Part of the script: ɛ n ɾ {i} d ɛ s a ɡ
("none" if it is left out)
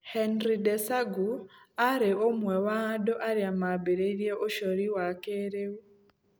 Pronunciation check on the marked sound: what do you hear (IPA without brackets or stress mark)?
i